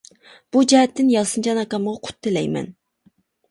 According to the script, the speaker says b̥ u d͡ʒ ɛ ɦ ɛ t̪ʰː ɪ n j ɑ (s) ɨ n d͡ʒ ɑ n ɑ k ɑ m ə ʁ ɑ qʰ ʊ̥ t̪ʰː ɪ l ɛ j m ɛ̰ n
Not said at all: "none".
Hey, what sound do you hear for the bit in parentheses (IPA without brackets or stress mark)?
s